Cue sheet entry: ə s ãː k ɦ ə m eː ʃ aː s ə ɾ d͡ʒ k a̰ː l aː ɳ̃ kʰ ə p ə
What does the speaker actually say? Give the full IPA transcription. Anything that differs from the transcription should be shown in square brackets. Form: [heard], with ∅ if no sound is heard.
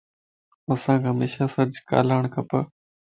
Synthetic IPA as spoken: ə s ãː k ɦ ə m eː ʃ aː s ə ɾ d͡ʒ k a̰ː l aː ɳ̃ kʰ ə p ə